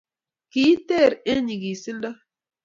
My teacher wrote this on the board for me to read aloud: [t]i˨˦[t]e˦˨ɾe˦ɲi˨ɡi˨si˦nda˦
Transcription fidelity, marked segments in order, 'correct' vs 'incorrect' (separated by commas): incorrect, correct